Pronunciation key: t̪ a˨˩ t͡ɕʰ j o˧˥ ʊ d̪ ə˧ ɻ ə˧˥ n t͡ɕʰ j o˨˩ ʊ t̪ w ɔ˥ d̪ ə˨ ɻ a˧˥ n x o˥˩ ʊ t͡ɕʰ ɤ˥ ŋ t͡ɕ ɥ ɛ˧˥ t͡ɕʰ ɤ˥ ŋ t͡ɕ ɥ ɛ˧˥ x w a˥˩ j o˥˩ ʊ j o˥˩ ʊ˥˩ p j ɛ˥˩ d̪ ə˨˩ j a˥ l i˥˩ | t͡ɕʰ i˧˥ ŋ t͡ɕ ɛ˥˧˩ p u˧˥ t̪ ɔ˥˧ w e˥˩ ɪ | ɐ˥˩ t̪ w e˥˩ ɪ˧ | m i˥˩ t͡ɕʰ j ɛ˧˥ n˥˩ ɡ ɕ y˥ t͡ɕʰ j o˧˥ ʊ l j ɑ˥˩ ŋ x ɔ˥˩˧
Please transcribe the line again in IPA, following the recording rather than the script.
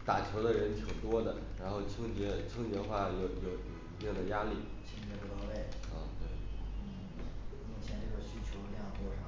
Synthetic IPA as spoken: t̪ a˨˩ t͡ɕʰ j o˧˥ ʊ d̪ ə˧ ɻ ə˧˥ n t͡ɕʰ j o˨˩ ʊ t̪ w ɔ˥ d̪ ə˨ ɻ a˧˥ n x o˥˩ ʊ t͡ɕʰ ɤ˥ ŋ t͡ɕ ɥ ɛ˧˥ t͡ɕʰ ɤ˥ ŋ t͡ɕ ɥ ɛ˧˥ x w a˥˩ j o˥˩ ʊ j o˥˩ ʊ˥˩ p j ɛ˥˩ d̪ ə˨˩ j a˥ l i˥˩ | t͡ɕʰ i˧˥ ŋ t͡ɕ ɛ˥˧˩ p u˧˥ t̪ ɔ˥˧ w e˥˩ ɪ | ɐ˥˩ t̪ w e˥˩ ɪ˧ | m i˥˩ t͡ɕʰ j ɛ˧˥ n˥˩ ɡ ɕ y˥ t͡ɕʰ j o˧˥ ʊ l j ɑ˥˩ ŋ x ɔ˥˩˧

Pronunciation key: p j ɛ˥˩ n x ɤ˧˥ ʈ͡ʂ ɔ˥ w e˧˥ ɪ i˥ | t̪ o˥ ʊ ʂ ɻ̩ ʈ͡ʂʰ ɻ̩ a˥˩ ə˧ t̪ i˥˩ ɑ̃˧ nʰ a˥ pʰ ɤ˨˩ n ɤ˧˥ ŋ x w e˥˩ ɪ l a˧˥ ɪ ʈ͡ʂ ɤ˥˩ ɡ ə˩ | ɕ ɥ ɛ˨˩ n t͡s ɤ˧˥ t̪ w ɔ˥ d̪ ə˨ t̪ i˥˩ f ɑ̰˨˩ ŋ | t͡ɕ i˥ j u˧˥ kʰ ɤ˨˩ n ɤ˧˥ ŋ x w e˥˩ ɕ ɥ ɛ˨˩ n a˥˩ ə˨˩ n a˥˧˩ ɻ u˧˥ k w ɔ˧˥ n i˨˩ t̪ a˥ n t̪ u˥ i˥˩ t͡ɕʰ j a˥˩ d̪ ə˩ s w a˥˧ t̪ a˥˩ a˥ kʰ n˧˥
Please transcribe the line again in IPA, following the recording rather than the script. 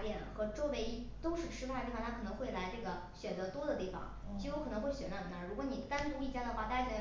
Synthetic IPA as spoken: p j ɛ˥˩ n x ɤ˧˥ ʈ͡ʂ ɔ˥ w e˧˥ ɪ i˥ | t̪ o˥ ʊ ʂ ɻ̩ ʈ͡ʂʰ ɻ̩ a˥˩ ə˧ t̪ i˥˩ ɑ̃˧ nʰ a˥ kʰ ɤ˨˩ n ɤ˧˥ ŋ x w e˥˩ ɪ l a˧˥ ɪ ʈ͡ʂ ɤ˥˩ ɡ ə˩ | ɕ ɥ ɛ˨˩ n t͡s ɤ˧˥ t̪ w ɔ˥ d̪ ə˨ t̪ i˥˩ f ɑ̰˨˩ ŋ | t͡ɕ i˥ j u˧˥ kʰ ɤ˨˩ n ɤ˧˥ ŋ x w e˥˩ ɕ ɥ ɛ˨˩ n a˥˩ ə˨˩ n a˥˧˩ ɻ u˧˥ k w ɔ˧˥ n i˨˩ t̪ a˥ n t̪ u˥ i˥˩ t͡ɕ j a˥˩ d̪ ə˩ x w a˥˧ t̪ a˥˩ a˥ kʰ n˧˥

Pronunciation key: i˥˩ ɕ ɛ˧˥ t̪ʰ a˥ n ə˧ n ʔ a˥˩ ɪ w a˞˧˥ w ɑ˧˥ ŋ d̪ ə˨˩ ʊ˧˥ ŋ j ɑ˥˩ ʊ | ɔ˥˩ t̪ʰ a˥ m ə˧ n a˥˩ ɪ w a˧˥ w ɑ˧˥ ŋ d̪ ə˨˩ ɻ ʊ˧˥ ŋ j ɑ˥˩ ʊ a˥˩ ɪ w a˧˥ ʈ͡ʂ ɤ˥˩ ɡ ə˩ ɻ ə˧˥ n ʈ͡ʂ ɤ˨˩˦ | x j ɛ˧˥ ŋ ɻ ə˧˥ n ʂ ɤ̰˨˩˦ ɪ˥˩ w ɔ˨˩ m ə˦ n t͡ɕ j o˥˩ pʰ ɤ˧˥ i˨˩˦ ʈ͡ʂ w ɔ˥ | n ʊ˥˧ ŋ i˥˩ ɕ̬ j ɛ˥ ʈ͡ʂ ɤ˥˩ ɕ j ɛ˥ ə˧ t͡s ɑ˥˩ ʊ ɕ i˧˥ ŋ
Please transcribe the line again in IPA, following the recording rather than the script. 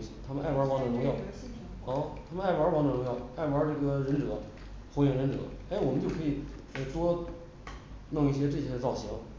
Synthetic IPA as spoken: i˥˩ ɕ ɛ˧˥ t̪ʰ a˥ m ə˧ n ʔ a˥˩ ɪ w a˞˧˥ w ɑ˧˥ ŋ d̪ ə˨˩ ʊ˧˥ ŋ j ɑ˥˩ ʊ | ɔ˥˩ t̪ʰ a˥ m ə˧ n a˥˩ ɪ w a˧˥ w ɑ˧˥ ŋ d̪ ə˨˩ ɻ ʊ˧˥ ŋ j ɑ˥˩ ʊ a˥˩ ɪ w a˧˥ ʈ͡ʂ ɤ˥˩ ɡ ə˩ ɻ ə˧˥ n ʈ͡ʂ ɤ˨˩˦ | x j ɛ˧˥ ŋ ɻ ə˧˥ n ʈ͡ʂ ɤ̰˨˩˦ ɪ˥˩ w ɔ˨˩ m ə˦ n t͡ɕ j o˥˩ kʰ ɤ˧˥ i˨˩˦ ʈ͡ʂ w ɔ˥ | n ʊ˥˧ ŋ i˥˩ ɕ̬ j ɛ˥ ʈ͡ʂ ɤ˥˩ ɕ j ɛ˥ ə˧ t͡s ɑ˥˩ ʊ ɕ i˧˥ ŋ

